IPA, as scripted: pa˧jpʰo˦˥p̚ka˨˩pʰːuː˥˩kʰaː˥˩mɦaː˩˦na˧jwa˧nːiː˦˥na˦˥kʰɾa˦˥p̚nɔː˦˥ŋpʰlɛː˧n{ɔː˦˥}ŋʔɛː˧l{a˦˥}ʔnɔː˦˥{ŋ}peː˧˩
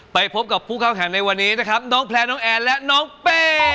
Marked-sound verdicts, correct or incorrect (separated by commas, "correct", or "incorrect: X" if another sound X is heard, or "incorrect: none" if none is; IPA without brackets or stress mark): correct, incorrect: ɛ˦˥, correct